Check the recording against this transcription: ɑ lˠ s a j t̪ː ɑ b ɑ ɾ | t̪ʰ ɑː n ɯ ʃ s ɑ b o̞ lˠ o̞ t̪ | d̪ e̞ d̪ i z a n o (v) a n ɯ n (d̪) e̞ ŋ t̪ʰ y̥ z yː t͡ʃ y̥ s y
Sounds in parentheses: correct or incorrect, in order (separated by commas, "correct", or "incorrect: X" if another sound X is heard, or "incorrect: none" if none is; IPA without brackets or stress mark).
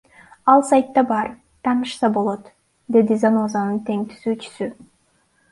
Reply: incorrect: z, incorrect: t̪